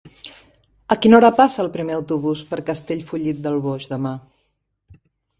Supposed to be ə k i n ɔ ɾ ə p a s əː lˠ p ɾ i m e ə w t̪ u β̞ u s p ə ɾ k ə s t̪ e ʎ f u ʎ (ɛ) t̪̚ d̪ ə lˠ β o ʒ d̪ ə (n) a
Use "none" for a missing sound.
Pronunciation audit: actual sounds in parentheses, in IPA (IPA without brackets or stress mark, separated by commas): i, m